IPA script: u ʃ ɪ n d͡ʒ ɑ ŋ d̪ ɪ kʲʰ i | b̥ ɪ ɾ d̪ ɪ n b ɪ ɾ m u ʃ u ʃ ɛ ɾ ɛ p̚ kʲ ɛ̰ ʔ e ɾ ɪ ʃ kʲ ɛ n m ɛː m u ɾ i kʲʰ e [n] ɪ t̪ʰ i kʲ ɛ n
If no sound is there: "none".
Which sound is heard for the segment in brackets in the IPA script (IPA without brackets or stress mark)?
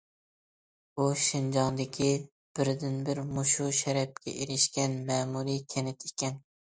n